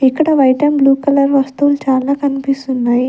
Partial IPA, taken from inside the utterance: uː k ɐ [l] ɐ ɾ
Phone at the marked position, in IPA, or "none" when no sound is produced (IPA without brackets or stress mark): l